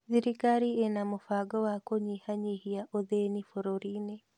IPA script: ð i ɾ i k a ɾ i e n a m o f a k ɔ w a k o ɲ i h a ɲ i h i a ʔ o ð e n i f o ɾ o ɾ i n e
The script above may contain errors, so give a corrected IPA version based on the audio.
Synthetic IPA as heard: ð i ɾ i k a ɾ i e n a m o f a ɡ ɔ w a k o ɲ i h a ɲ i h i a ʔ o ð e n i f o ɾ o ɾ i n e